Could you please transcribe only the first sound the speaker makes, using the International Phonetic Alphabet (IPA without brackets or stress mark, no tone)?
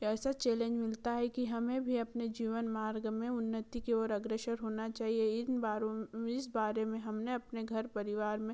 ɛː